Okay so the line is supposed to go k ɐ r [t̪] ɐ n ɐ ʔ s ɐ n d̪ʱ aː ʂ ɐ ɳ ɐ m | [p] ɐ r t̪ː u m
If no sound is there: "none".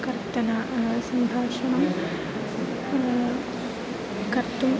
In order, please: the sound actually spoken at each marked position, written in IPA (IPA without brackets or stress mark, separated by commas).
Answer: t̪, k